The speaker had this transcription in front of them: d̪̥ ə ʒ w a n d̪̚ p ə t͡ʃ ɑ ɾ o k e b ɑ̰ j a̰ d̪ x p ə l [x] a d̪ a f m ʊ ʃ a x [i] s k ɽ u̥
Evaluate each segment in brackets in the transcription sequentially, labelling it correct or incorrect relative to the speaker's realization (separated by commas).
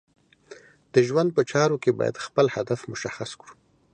incorrect, incorrect